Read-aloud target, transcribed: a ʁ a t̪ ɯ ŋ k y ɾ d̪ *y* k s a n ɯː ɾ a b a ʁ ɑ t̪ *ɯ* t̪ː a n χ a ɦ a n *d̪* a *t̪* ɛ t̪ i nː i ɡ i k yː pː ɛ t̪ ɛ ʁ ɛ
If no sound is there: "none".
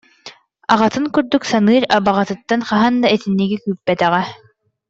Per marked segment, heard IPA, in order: y, ɯ, d̪, none

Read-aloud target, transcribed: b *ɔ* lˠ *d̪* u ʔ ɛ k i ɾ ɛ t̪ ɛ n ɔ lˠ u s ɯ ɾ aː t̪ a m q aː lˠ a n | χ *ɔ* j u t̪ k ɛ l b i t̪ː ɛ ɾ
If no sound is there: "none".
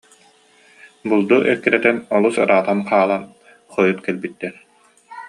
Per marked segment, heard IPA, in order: u, d̪, ɔ

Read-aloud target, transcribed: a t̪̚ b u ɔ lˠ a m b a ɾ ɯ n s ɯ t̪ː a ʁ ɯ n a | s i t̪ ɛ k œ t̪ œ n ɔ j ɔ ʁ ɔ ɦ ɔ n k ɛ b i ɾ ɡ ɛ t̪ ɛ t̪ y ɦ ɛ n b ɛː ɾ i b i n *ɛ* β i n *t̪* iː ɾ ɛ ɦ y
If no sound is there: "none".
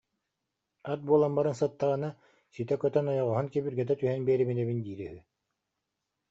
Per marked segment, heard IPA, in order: ɛ, d̪

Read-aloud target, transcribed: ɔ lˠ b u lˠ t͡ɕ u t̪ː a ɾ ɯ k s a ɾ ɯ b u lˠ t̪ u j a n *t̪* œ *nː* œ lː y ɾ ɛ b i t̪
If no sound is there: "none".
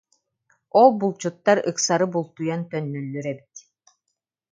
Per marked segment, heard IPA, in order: t̪, nː

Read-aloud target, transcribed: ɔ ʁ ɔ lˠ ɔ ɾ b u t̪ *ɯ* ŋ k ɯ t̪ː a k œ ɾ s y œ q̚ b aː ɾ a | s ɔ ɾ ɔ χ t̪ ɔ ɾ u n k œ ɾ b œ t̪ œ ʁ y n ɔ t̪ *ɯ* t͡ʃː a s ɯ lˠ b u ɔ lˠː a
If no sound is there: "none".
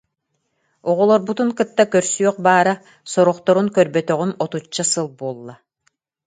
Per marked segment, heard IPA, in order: u, u

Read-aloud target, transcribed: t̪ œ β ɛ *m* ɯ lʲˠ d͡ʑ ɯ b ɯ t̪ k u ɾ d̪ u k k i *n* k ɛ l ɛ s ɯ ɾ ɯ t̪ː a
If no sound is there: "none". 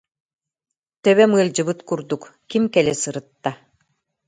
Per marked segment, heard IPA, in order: m, m

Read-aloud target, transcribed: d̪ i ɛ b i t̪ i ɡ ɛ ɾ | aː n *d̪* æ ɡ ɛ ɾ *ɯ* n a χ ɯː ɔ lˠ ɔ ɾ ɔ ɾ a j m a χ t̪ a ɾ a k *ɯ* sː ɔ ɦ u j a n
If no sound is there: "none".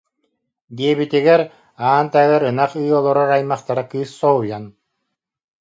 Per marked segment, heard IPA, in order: t̪, ɯ, ɯː

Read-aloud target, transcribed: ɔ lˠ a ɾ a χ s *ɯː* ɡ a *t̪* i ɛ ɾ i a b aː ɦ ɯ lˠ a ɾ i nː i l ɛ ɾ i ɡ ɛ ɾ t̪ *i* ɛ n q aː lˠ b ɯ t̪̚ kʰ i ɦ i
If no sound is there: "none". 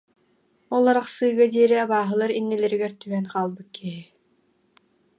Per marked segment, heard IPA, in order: ɯː, d̪, y

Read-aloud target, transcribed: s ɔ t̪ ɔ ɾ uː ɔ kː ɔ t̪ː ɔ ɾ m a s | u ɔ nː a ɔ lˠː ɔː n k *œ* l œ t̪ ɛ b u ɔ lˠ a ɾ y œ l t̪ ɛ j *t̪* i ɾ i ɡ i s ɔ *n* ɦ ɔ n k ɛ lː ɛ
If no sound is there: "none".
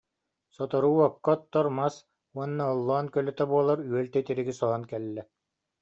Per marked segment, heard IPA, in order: œ, t̪, none

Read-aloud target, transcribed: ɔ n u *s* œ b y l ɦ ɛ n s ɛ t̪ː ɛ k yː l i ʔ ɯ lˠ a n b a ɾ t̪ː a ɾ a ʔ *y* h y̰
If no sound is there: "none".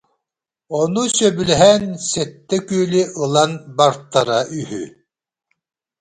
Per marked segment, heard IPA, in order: s, y

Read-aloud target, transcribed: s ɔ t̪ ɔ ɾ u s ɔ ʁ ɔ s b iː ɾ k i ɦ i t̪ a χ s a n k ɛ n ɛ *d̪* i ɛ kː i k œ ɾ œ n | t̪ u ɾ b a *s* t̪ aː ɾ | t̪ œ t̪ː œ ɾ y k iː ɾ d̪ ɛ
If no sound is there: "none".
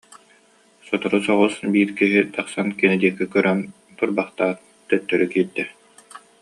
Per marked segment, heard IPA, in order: d̪, χ

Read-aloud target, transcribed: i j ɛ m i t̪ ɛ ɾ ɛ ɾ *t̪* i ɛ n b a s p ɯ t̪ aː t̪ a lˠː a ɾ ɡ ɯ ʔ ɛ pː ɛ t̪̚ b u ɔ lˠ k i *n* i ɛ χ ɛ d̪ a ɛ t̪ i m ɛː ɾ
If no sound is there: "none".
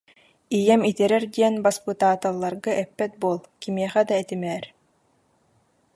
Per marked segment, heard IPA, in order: d̪, m

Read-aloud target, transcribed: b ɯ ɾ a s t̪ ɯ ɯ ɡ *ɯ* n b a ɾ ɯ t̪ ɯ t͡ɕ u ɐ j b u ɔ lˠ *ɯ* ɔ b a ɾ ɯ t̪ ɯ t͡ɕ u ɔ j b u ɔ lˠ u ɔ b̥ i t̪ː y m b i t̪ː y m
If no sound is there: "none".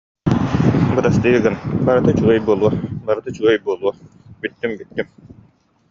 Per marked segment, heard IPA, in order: ɯ, u

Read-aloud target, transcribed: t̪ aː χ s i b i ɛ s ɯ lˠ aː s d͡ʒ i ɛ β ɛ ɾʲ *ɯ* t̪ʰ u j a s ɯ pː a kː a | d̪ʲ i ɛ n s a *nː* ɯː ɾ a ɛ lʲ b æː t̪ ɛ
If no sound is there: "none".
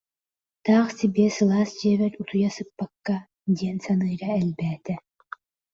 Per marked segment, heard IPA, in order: u, n

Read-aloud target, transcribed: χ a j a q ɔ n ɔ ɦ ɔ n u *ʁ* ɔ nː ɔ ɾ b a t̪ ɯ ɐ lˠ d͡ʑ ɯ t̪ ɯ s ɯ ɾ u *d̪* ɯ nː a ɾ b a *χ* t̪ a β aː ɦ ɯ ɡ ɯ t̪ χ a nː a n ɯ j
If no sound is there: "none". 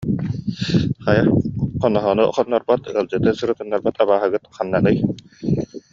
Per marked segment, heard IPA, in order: χ, t̪, none

